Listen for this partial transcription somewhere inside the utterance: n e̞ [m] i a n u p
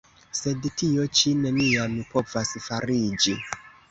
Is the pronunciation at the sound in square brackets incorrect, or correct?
incorrect